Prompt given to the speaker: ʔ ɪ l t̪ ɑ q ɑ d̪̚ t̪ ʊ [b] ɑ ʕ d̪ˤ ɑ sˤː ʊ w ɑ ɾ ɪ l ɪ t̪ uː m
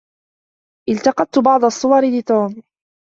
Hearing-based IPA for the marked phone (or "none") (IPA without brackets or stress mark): b